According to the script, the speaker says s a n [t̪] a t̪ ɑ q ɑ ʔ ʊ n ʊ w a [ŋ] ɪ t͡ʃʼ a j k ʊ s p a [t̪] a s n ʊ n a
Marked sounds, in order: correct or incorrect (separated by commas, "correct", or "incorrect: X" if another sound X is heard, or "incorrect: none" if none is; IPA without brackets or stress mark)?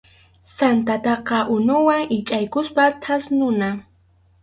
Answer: correct, correct, incorrect: t̪ʰ